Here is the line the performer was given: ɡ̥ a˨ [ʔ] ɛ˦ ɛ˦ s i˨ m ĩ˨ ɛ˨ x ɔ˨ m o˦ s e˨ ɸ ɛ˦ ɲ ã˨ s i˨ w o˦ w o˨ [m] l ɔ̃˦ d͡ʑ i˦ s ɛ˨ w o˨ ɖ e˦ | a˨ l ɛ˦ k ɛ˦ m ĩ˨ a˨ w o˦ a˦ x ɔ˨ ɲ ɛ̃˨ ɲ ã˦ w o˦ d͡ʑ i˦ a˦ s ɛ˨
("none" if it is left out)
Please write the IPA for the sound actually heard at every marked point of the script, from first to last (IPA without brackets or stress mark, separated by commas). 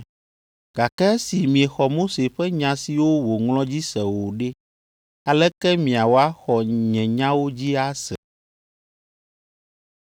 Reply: k, ŋ